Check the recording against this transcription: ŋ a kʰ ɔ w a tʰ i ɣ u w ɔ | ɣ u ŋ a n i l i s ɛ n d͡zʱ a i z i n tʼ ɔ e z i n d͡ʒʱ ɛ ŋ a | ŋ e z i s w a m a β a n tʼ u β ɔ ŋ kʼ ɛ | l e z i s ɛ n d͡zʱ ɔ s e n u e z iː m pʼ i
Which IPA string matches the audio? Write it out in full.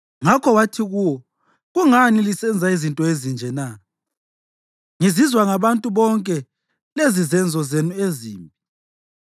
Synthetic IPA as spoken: ŋ a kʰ ɔ w a tʰ i ɣ u w ɔ | ɣ u ŋ a n i l i s ɛ n d͡zʱ a i z i n tʼ ɔ e z i n d͡ʒʱ ɛ n a | ŋ i z i z w a ŋ a β a n tʼ u β ɔ ŋ kʼ ɛ | l e z i z ɛ n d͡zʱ ɔ z e n u e z iː m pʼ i